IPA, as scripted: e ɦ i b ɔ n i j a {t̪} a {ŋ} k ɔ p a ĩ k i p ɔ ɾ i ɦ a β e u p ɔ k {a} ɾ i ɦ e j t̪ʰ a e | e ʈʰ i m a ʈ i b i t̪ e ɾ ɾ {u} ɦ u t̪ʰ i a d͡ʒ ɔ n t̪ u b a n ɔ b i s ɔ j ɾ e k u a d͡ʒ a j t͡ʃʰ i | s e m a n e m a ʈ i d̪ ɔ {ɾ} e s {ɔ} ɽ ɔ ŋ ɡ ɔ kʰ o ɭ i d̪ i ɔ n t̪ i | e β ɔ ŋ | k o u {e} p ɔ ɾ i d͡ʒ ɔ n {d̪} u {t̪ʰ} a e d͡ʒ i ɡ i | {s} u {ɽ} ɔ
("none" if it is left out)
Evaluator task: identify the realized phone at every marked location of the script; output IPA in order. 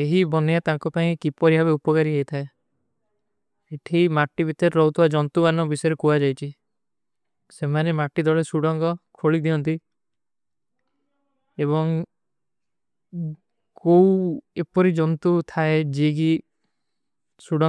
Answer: t̪, ŋ, a, ɔ, ɭ, u, e, t̪, t̪ʰ, s, ɽ

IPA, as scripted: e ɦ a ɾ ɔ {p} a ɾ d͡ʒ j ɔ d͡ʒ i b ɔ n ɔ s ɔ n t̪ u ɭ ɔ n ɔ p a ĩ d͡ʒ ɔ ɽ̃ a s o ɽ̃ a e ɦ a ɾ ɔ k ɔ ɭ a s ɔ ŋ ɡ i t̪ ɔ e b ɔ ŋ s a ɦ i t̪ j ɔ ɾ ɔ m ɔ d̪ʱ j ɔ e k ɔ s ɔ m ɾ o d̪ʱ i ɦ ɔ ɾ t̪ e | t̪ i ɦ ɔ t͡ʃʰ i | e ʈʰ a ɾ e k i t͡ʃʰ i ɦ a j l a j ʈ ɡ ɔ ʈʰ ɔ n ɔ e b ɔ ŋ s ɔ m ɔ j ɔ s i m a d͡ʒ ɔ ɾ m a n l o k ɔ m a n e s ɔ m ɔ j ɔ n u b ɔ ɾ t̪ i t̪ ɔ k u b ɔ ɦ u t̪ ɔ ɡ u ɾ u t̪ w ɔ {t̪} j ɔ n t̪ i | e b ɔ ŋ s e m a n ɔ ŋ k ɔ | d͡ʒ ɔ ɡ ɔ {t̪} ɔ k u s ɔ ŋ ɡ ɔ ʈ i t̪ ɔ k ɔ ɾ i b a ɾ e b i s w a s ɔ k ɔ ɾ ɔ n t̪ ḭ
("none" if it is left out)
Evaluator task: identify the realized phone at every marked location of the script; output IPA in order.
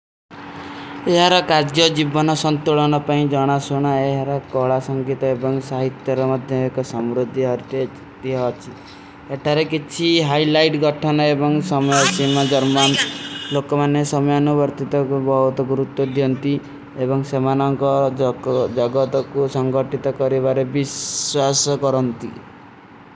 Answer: k, d̪, t̪

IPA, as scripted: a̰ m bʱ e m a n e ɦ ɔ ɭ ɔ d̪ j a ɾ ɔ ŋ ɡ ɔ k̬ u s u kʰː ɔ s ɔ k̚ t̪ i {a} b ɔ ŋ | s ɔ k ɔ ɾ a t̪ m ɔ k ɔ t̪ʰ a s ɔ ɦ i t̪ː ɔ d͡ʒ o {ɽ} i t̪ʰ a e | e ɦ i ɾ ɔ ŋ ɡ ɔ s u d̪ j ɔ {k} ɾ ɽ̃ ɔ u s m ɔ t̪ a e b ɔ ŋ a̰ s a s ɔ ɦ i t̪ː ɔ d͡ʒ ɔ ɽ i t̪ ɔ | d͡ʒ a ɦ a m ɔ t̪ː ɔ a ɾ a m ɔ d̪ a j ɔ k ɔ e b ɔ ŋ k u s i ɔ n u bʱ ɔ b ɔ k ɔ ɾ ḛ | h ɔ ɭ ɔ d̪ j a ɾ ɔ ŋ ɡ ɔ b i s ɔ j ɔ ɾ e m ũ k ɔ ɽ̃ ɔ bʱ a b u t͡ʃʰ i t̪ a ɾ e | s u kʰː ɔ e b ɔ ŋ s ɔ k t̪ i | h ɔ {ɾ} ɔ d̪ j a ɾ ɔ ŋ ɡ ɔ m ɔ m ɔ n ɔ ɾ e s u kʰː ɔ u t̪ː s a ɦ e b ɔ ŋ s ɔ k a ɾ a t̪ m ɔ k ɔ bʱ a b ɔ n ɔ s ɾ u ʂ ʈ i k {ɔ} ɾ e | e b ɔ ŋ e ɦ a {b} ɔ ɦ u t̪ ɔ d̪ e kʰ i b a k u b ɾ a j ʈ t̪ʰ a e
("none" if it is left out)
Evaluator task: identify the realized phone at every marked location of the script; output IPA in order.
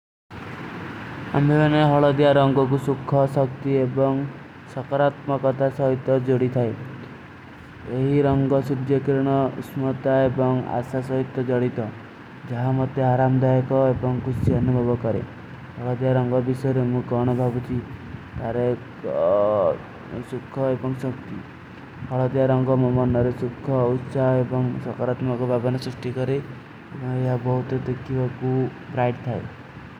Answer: e, ɽ, k, ɭ, ɔ, b

